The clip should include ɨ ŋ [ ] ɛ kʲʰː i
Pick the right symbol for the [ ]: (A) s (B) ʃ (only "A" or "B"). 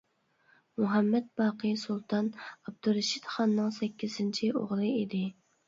A